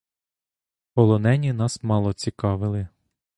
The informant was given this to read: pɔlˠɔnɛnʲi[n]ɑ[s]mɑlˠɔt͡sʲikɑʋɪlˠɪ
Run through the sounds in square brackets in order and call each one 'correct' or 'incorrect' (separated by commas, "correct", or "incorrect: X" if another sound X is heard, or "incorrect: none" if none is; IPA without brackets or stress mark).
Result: correct, correct